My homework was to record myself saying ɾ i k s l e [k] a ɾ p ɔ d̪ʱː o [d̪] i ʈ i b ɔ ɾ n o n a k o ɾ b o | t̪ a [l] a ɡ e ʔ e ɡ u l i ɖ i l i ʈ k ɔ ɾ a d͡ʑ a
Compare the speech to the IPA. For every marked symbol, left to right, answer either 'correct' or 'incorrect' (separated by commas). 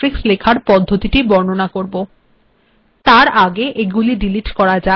incorrect, incorrect, incorrect